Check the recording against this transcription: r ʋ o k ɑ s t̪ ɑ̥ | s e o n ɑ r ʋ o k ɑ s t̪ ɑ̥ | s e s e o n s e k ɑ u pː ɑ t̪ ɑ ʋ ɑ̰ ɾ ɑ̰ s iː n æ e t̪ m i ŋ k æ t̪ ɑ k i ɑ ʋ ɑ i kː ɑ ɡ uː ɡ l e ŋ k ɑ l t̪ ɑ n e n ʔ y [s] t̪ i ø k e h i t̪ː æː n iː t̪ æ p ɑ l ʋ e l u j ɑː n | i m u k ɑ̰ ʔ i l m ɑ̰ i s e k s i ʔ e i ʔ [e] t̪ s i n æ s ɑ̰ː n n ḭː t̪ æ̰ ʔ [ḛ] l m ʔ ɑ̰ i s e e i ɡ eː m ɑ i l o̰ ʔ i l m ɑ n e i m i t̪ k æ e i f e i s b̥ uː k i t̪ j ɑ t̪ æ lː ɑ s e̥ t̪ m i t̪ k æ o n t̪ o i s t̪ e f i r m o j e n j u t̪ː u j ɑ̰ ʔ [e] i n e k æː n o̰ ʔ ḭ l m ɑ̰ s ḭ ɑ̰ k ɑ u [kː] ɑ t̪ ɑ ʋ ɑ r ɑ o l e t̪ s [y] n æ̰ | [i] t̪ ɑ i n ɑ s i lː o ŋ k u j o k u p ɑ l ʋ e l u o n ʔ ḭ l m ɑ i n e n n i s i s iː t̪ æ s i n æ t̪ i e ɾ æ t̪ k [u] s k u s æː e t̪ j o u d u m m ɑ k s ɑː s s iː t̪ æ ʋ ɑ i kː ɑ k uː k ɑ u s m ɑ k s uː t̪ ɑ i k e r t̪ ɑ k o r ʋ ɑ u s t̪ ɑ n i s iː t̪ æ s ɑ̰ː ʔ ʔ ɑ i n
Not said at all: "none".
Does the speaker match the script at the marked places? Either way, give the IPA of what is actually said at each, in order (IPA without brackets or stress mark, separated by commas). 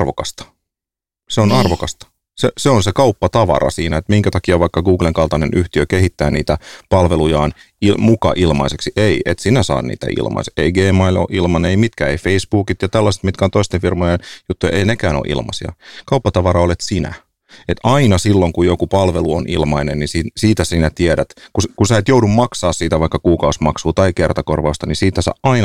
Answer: h, e, ḭ, e, pː, i, e, u